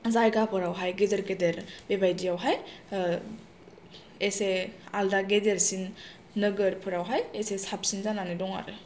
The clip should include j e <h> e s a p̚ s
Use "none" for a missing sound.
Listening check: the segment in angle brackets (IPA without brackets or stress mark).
s